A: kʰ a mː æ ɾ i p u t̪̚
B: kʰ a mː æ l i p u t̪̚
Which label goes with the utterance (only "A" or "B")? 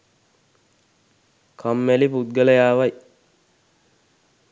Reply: B